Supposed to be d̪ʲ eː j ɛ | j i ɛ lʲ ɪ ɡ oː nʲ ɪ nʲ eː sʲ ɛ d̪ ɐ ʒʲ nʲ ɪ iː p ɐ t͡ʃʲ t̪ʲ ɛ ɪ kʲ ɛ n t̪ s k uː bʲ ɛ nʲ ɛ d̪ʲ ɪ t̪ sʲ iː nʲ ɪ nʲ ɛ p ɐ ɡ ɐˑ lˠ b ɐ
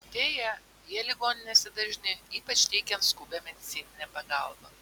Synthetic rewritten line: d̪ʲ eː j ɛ | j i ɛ lʲ ɪ ɡ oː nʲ ɪ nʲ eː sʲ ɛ d̪ ɐ ʒʲ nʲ ɪ iː p ɐ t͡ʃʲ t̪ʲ ɛ ɪ kʲ ɛ n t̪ s k uː bʲ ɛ mʲ ɛ d̪ʲ ɪ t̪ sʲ iː nʲ ɪ nʲ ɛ p ɐ ɡ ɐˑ lˠ b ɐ